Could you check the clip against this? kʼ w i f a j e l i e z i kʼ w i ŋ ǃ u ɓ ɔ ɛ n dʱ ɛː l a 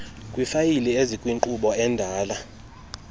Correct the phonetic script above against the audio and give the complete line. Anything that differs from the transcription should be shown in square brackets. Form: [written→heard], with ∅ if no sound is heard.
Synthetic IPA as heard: kʼ w i f a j [e→i] l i e z i kʼ w i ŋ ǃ u ɓ ɔ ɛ n dʱ [ɛː→aː] l a